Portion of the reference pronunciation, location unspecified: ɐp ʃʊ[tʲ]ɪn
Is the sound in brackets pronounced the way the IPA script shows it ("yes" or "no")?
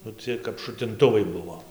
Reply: yes